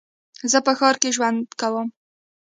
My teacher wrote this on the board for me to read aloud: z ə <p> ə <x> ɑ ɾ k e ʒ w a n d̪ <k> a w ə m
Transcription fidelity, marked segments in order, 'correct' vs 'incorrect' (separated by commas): correct, correct, correct